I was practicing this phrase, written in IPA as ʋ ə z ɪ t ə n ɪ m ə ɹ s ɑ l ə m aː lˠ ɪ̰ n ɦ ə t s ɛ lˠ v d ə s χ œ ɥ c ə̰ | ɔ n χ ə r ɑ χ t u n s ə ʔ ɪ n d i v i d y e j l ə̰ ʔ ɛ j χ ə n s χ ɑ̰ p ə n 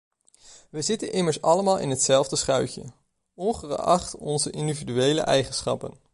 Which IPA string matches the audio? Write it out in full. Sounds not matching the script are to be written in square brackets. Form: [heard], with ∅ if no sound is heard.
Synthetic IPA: ʋ ə z ɪ t ə n ɪ m ə ɹ s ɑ l ə m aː lˠ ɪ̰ n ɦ ə t s ɛ lˠ v d ə s χ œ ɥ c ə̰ | ɔ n χ ə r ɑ χ t [ɔ] n [z] ə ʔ ɪ n d i v i d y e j l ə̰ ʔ ɛ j χ ə n s χ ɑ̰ p ə n

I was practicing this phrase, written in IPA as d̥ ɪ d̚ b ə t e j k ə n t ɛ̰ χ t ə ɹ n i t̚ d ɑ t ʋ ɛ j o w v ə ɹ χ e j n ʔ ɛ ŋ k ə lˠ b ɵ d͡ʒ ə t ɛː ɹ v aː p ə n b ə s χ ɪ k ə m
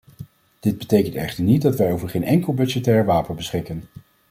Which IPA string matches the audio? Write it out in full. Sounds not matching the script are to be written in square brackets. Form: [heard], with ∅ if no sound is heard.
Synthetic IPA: d̥ ɪ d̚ b ə t e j k ə n t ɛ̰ χ t ə ɹ n i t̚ d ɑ t ʋ ɛ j o w v ə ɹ χ e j n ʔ ɛ ŋ k ə lˠ b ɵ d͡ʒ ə t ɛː ɹ [ʋ] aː p ə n b ə s χ ɪ k ə [n]

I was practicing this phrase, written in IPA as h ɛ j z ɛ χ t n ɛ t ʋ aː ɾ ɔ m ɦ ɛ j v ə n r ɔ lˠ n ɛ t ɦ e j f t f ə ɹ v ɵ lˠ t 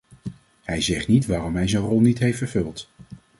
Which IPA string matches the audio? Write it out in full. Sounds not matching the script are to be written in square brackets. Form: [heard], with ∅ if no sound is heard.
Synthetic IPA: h ɛ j z ɛ χ t n [i] t ʋ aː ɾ ɔ m ɦ ɛ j [z] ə n r ɔ lˠ n [i] t ɦ e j f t f ə ɹ v ɵ lˠ t

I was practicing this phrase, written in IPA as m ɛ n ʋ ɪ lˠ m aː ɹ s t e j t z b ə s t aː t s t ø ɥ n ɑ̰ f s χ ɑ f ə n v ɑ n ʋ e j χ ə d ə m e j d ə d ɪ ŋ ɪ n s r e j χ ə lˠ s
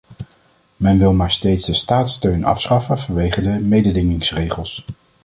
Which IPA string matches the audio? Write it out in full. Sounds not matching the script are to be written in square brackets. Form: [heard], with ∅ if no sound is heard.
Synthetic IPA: m ɛ n ʋ ɪ lˠ m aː ɹ s t e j t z [d] ə s t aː t s t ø ɥ n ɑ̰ f s χ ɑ f ə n v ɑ n ʋ e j χ ə d ə m e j d ə d ɪ ŋ ɪ [ŋ] s r e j χ ə lˠ s

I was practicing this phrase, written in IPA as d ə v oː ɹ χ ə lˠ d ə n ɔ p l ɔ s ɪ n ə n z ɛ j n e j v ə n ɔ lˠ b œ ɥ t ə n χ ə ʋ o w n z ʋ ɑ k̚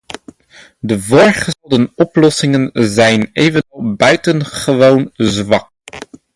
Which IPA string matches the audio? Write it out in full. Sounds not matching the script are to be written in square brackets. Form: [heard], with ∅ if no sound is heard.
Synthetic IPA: d ə v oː ɹ χ ə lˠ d ə n ɔ p l ɔ s ɪ [ŋ] ə n z ɛ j n e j v ə n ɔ lˠ b œ ɥ t ə n χ ə ʋ o w n z ʋ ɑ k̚

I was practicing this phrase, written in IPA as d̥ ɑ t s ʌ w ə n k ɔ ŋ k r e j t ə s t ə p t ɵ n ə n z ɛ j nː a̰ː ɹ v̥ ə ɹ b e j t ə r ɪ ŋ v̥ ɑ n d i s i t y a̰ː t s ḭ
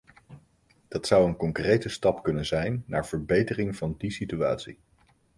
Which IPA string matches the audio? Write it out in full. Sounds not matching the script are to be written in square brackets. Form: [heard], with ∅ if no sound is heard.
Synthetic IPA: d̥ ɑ t s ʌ w ə n k ɔ ŋ k r e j t ə s t [ɑ] p [k] ɵ n ə n z ɛ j nː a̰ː ɹ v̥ ə ɹ b e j t ə r ɪ ŋ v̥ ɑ n d i s i t y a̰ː t s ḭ

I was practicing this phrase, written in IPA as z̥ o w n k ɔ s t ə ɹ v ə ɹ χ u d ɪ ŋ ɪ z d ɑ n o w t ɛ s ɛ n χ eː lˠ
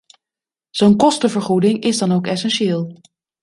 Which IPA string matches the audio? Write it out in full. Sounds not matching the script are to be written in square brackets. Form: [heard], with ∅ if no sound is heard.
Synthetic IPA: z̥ o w n k ɔ s t ə [∅] v ə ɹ χ u d ɪ ŋ ɪ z d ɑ n o w [k] ɛ s ɛ n [ʃ] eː lˠ

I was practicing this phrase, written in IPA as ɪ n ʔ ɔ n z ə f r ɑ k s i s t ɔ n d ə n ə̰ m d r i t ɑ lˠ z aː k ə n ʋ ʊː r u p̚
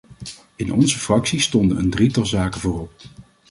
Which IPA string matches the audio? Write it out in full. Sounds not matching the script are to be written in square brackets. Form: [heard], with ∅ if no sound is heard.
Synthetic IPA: ɪ n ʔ ɔ n z ə f r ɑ k s i s t ɔ n d ə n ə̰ [n] d r i t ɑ lˠ z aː k ə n [v] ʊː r [ɔ] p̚

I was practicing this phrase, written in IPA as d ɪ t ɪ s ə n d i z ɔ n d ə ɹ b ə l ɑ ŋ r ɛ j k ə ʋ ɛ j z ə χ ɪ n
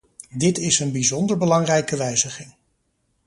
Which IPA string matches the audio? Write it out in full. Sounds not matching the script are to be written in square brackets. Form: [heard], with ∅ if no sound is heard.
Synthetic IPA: d ɪ t ɪ s ə n [b] i z ɔ n d ə ɹ b ə l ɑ ŋ r ɛ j k ə ʋ ɛ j z ə χ ɪ [ŋ]

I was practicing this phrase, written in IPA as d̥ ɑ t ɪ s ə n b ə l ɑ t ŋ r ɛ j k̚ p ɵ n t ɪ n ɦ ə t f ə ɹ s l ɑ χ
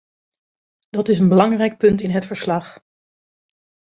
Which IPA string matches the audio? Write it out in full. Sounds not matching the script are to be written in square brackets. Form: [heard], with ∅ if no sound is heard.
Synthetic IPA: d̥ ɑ t ɪ s ə n b ə l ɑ [∅] ŋ r ɛ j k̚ p ɵ n t ɪ n ɦ ə t f ə ɹ s l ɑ χ

